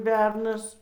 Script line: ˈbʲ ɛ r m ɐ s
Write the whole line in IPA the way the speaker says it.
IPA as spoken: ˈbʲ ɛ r n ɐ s